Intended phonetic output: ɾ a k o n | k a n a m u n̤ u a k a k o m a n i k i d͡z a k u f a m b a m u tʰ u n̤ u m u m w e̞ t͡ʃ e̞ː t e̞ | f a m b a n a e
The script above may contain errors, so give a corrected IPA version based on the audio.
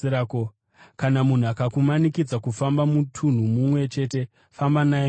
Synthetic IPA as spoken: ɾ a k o | k a n a m u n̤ u a k a k u m a n i k i d͡z a k u f a m b a m u tʰ u n̤ u m u m w e̞ t͡ʃ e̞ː t e̞ | f a m b a n a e